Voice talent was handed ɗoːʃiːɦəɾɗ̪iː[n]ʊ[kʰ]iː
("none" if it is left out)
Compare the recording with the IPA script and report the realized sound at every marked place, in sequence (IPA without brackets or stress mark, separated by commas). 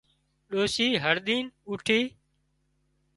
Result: n, ʈʰ